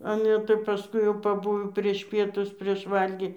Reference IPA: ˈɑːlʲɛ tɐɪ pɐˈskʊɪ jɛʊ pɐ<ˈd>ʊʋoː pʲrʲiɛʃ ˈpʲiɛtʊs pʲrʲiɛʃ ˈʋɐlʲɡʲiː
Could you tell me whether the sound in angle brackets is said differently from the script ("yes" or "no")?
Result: yes